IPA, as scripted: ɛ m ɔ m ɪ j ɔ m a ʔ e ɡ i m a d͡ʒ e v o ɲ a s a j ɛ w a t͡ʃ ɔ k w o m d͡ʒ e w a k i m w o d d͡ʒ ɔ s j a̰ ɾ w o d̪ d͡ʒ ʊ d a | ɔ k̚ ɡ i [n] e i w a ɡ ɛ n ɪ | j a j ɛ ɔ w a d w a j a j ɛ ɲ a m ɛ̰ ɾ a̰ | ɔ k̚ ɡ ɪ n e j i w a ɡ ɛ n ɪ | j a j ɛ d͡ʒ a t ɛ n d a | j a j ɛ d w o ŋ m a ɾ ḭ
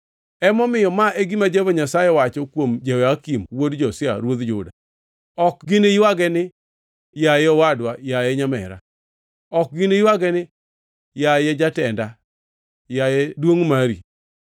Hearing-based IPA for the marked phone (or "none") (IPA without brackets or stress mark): n